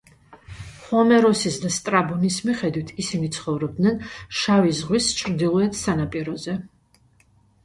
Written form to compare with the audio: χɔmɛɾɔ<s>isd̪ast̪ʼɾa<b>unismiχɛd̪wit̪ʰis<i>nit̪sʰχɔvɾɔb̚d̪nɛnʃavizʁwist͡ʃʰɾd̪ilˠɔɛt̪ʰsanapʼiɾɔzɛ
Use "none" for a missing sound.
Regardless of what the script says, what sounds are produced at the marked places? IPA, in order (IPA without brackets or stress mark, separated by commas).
s, b, i